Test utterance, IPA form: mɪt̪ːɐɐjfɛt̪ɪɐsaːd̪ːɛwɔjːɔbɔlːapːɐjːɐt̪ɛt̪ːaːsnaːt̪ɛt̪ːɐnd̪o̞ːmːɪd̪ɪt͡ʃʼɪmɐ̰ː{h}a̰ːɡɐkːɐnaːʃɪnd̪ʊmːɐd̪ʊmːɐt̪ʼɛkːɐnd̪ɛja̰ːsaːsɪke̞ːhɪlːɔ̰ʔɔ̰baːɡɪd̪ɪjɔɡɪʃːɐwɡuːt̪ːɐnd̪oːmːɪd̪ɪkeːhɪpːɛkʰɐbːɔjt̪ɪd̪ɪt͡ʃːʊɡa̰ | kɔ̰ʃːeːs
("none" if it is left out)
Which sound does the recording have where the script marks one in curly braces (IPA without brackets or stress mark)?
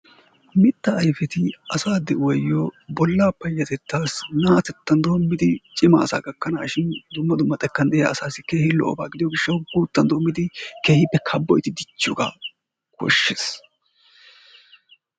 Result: s